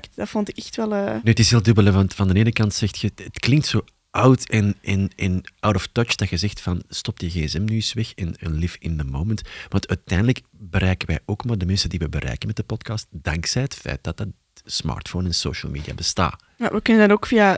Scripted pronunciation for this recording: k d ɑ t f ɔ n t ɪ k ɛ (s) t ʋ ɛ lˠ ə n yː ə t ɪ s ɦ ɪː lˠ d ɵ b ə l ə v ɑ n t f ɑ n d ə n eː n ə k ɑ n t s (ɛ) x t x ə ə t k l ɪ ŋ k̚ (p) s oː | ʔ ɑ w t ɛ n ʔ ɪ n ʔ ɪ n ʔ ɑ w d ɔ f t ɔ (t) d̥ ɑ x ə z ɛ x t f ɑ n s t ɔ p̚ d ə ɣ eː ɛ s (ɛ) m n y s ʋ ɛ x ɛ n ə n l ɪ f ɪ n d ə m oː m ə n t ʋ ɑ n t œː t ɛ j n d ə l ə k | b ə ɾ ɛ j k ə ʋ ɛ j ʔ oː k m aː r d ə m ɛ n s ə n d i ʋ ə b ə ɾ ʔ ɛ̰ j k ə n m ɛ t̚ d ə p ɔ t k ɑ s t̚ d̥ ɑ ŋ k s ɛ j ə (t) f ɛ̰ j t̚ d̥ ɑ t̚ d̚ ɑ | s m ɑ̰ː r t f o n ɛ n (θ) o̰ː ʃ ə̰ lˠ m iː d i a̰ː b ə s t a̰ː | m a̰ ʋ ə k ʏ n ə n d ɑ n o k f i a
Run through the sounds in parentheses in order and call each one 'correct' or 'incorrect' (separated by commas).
incorrect, correct, incorrect, incorrect, correct, correct, incorrect